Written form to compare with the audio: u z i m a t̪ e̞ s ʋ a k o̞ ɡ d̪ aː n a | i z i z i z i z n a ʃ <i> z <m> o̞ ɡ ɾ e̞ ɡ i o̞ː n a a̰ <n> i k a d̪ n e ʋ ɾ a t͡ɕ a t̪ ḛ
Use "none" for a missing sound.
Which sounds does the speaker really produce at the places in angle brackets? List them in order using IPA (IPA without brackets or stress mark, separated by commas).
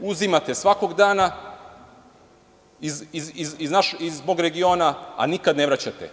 i, b, n